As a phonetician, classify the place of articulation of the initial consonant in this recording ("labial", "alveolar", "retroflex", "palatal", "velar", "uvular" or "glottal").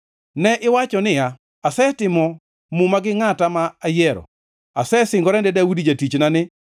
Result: alveolar